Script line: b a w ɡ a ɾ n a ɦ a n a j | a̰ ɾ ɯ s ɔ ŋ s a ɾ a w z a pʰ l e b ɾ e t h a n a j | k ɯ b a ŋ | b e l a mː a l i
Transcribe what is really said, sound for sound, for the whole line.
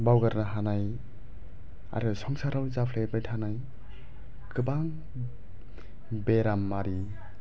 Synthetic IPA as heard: b a w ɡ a ɾ n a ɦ a n a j | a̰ ɾ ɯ s ɔ ŋ s a ɾ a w z a pʰ l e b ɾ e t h a n a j | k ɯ b a ŋ | b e ɾ a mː a ɾ i